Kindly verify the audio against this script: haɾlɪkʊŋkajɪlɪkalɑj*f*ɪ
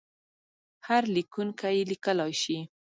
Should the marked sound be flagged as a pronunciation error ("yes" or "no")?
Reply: yes